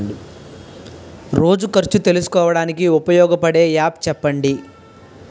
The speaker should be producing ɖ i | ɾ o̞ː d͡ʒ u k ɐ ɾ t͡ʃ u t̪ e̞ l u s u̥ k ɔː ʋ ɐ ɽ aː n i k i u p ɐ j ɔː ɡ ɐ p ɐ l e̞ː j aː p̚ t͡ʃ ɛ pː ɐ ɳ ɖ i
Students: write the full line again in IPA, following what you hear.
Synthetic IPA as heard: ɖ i | ɾ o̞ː d͡ʒ u k ɐ ɾ t͡ʃ u t̪ e̞ l u s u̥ k ɔː ʋ ɐ ɽ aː n i k i u p ɐ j ɔː ɡ ɐ p ɐ ɽ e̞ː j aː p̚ t͡ʃ ɛ pː ɐ ɳ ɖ i